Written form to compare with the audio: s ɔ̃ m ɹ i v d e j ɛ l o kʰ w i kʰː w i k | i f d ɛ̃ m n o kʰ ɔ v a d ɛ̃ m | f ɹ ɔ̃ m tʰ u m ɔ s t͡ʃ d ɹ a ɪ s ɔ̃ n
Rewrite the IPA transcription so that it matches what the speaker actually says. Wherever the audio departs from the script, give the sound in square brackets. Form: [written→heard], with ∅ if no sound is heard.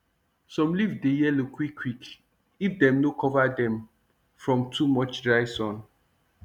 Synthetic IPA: s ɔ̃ m [ɹ→l] i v d e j ɛ l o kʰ w i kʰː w i k | i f d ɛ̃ m n o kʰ ɔ v a d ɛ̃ m | f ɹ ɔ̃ m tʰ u m ɔ [s→∅] t͡ʃ d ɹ a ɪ s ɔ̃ n